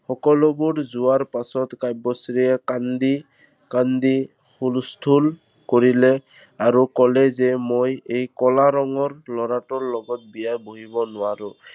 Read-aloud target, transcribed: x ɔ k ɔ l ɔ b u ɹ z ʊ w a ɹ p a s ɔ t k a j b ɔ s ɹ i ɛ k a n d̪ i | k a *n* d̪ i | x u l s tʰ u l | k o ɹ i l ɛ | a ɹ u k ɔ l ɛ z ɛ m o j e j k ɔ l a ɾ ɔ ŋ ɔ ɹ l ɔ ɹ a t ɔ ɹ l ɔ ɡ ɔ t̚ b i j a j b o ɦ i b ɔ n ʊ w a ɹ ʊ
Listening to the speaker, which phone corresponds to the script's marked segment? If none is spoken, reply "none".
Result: n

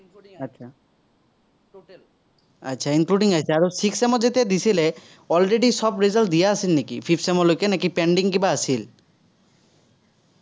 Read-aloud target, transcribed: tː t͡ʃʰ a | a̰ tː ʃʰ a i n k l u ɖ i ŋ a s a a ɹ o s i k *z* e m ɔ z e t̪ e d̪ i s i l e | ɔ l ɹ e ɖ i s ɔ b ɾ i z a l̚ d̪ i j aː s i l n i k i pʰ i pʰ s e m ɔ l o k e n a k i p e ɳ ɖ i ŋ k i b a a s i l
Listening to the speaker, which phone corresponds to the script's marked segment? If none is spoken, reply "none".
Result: s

